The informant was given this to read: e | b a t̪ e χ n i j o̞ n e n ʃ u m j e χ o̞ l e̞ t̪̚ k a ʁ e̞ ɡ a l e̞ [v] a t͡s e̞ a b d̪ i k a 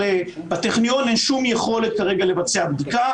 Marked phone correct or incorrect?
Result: correct